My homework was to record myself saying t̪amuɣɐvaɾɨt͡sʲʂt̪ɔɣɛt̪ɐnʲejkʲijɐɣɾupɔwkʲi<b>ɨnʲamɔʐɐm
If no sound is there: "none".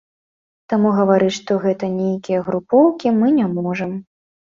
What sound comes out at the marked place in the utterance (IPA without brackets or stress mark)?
m